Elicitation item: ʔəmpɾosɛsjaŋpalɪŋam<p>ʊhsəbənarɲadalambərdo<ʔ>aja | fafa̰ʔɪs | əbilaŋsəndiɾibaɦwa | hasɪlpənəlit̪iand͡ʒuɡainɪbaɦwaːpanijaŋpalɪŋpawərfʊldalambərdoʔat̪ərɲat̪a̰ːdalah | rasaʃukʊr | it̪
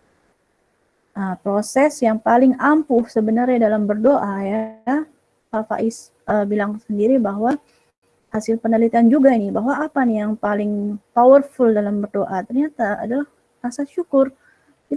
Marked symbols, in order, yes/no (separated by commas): yes, yes